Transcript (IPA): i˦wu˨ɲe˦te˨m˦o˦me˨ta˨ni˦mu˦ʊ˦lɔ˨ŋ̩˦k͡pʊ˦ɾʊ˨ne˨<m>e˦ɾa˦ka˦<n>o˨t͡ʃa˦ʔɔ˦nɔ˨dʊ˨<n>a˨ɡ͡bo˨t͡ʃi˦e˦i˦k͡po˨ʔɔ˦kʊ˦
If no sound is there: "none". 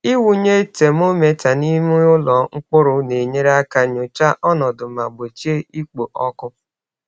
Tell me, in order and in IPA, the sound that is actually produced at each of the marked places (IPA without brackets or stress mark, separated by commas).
ɲ, ɲ, m